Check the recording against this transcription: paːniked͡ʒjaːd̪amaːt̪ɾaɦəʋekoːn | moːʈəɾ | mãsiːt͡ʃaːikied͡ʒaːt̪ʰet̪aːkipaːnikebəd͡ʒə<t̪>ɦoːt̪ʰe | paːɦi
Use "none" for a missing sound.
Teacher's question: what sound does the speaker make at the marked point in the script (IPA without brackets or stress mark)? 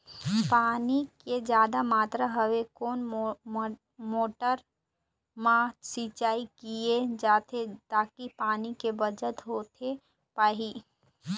t̪